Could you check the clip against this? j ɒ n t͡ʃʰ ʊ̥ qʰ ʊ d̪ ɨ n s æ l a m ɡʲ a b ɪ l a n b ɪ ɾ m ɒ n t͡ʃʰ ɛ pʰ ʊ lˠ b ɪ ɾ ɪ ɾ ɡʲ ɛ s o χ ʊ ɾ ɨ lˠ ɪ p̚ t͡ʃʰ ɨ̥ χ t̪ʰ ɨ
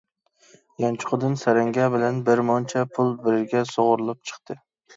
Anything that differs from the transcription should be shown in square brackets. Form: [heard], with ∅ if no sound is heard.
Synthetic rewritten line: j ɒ n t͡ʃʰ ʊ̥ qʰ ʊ d̪ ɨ n s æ [ɾ] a [ŋ] ɡʲ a b ɪ l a n b ɪ ɾ m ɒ n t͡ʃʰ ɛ pʰ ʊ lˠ b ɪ ɾ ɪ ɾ ɡʲ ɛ s o [ʁ] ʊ ɾ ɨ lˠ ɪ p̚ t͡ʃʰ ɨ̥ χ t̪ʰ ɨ